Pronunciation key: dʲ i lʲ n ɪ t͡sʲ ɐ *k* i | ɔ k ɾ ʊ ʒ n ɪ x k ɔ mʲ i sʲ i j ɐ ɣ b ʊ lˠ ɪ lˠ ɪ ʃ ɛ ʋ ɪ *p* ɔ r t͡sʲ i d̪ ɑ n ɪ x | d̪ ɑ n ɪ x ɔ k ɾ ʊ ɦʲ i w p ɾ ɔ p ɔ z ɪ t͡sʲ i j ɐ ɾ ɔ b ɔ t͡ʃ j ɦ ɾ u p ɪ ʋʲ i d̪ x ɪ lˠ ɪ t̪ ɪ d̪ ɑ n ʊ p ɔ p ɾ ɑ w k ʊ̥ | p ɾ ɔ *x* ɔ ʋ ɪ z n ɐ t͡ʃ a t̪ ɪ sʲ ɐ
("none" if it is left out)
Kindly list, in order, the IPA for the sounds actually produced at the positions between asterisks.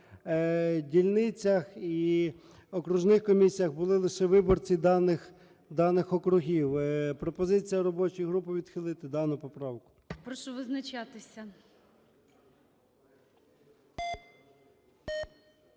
x, b, ʃ

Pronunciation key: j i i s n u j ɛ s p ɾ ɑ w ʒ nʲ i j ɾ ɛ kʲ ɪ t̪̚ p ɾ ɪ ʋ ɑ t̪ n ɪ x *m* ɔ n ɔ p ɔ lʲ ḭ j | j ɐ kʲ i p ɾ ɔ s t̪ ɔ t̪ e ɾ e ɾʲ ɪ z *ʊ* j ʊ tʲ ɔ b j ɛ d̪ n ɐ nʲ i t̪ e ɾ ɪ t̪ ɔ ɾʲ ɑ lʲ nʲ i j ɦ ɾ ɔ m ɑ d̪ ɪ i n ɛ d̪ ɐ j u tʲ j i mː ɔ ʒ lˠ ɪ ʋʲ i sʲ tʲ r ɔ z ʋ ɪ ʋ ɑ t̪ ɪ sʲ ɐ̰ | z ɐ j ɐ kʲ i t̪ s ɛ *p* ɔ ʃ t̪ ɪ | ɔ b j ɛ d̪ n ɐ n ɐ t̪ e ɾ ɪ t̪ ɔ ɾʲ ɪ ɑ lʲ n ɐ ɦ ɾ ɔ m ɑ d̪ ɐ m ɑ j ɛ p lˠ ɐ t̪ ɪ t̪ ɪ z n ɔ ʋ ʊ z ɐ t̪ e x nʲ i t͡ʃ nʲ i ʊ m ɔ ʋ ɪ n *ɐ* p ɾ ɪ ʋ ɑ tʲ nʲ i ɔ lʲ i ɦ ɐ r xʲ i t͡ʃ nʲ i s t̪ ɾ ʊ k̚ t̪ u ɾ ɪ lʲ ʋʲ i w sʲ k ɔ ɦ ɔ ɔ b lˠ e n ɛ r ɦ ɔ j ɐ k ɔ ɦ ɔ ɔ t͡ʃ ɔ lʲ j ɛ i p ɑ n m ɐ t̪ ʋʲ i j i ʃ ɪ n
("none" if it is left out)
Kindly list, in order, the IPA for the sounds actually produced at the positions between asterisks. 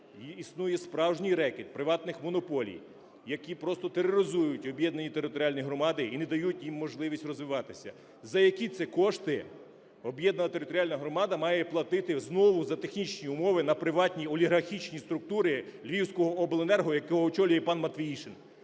m, u, k, ɐ

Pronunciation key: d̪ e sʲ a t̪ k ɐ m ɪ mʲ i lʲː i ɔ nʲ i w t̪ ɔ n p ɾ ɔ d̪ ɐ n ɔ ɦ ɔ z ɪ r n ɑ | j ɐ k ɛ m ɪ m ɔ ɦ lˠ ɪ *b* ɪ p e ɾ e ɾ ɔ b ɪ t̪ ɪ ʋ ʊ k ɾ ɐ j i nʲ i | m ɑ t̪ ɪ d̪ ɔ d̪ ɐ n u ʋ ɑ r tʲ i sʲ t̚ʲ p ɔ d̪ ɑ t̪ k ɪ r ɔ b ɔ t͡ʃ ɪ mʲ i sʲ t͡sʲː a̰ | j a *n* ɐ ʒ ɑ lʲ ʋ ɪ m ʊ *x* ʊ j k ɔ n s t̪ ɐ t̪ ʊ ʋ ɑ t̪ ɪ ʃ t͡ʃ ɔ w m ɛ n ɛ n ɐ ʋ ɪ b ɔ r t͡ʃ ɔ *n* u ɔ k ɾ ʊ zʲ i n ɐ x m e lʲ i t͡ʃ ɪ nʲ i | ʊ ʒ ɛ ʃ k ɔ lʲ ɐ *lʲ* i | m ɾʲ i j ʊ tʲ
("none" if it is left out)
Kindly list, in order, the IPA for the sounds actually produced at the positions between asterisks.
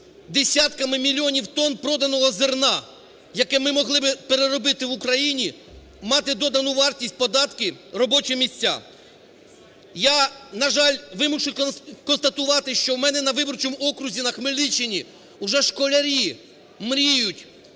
b, n, ʃ, m, ɾʲ

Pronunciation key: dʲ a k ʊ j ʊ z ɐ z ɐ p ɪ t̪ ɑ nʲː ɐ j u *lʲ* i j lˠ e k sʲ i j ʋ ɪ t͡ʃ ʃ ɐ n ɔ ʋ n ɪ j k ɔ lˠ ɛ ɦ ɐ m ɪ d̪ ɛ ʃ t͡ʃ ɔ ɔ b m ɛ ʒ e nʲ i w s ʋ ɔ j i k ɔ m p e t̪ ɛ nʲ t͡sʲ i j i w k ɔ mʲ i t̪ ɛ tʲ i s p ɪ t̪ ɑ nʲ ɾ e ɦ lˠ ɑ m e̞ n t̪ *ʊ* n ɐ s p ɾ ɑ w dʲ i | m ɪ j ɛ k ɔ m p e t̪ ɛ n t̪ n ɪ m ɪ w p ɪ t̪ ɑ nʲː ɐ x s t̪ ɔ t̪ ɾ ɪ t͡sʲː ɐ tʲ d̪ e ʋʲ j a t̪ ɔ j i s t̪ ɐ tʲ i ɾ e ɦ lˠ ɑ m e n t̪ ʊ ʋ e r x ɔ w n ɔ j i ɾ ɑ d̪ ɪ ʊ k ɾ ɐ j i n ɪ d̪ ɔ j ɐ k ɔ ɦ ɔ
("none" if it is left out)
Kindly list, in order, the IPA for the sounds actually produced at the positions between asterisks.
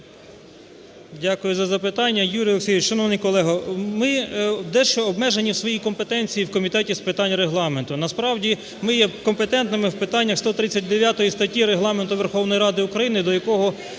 ɾʲ, ʊ

